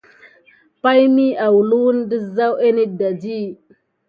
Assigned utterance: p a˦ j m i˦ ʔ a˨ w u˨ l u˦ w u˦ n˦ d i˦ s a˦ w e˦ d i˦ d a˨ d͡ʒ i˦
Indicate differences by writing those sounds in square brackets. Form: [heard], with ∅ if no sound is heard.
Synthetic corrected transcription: p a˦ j m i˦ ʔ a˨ w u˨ l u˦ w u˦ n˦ d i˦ [z] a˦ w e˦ [n] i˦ d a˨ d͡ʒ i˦